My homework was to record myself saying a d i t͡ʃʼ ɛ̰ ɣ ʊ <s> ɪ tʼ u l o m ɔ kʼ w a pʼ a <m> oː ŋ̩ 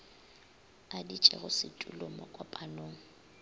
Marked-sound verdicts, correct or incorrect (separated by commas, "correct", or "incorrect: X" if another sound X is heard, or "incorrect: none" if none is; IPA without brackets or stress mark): correct, incorrect: n